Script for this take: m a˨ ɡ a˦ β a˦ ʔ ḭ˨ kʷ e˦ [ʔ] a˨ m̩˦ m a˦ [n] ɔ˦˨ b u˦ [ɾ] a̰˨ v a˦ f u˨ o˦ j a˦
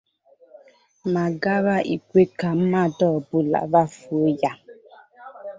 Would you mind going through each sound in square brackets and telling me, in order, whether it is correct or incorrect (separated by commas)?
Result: incorrect, incorrect, incorrect